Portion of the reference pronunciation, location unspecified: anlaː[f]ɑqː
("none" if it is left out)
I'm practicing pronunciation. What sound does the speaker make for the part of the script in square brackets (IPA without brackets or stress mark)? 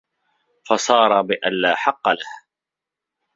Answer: ħ